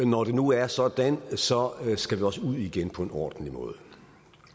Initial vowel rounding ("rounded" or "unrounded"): rounded